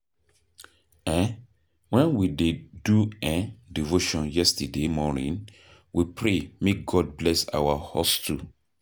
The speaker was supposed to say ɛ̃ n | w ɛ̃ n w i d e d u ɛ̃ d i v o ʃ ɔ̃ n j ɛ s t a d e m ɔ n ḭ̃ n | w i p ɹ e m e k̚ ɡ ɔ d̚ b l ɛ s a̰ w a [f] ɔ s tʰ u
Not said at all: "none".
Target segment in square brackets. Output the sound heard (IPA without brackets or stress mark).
h